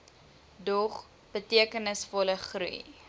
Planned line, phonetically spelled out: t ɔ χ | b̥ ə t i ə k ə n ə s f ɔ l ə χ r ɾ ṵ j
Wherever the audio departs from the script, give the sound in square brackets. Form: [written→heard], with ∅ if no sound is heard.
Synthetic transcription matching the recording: [t→d] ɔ χ | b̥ ə t i ə k ə n ə s f ɔ l ə χ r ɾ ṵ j